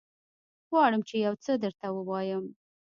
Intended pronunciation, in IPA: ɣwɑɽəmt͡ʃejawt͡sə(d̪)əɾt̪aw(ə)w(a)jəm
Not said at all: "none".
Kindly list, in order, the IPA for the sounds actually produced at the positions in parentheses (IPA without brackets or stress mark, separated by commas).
d̪, ə, ɑ